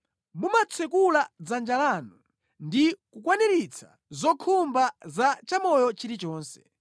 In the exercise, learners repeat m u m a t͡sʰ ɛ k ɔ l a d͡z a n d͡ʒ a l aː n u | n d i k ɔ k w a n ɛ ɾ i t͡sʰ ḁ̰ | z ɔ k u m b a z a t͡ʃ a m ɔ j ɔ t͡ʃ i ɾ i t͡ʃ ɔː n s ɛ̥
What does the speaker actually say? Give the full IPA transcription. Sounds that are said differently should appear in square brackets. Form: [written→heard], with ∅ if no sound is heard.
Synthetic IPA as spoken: m u m a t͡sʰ ɛ k [ɔ→u] l a d͡z a n d͡ʒ a l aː n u | n d i k [ɔ→u] k w a n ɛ ɾ i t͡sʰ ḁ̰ | z ɔ [k→kʰ] u m b a z a t͡ʃ a m ɔ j ɔ t͡ʃ i ɾ i t͡ʃ ɔː n s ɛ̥